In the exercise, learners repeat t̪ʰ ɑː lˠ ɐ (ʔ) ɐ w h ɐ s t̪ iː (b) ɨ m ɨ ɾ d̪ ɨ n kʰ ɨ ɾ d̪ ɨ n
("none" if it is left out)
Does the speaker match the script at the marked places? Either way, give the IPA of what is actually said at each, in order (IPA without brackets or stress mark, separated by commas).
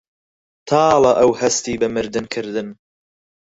ʔ, b